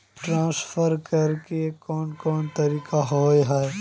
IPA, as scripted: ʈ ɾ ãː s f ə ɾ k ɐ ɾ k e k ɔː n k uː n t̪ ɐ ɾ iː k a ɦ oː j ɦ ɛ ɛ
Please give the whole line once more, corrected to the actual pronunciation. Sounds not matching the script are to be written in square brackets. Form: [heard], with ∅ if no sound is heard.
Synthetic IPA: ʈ ɾ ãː s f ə ɾ k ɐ ɾ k e k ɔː n k [ɔː] n t̪ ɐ ɾ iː k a ɦ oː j ɦ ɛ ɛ